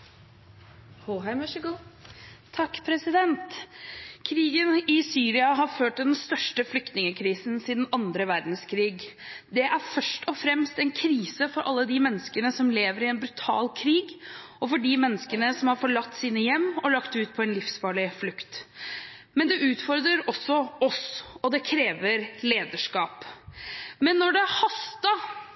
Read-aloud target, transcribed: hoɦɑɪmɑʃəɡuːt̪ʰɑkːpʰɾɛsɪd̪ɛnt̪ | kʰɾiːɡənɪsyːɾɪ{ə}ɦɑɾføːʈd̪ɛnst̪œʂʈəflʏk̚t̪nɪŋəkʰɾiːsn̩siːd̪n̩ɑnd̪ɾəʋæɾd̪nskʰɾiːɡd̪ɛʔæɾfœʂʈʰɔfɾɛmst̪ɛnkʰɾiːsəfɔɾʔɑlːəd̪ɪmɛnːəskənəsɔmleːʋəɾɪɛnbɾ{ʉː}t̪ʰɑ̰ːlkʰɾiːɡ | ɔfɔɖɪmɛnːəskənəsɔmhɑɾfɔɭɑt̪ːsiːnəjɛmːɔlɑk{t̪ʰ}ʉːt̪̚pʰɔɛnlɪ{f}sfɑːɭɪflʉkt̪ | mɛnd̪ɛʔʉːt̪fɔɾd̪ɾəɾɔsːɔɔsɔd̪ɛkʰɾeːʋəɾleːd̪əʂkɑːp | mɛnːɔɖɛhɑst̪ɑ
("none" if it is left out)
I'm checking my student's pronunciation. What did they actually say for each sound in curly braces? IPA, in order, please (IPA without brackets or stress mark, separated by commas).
ɑ, ʉ, t̪, f